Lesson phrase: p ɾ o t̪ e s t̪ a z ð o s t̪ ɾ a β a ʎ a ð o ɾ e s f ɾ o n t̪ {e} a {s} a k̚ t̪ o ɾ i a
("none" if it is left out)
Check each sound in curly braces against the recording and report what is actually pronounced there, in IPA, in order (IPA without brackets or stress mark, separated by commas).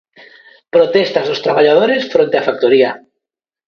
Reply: e, f